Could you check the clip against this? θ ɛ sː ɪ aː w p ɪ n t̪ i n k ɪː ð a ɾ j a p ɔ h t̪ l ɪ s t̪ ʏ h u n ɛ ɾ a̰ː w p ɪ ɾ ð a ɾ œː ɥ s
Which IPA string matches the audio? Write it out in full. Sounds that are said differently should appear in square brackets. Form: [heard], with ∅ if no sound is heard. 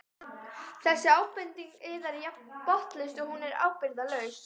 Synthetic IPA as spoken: θ ɛ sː ɪ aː w p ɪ n t̪ i [ŋ] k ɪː ð a ɾ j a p ɔ h t̪ l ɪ s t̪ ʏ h u n ɛ ɾ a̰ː w p ɪ ɾ ð a [l] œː ɥ s